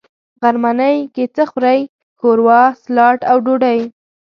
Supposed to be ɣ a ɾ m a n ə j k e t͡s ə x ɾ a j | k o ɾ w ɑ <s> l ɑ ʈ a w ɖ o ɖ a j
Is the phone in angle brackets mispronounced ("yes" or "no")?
no